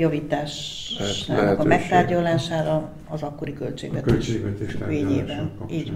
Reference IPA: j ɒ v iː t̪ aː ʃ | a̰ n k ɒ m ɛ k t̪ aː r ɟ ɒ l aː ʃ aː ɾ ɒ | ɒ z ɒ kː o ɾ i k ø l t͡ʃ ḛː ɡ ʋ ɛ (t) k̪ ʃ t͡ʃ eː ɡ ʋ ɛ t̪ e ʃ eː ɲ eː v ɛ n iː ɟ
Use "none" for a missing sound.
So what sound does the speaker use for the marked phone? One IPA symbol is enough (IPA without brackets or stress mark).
t